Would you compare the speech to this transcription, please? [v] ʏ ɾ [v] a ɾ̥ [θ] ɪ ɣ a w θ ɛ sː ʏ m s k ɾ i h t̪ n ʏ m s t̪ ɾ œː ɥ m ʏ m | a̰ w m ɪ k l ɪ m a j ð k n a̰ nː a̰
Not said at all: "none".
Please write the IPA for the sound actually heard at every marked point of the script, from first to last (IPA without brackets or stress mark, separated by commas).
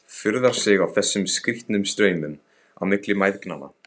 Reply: f, ð, s